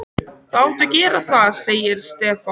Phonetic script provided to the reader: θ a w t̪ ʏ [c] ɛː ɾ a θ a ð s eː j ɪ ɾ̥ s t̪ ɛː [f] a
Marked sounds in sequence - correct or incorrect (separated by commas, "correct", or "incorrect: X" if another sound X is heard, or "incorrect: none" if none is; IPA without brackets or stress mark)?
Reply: correct, correct